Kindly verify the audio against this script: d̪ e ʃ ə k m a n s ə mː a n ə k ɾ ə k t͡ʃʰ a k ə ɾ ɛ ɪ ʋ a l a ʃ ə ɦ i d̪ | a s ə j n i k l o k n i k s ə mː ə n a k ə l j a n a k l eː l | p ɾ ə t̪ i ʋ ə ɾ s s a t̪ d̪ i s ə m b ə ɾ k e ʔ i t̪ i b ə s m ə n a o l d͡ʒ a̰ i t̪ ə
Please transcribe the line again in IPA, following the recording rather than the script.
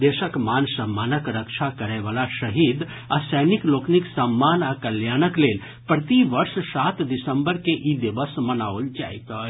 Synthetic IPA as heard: d̪ e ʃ ə k m a n s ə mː a n ə k ɾ ə k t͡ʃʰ a k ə ɾ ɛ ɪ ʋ a l a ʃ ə ɦ i d̪ | a s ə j n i k l o k n i k s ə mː a n a k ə l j a n ə k l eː l | p ɾ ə t̪ i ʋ ə ɾ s s a t̪ d̪ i s ə m b ə ɾ k e ʔ i d̪ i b ə s m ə n a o l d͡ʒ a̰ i t̪ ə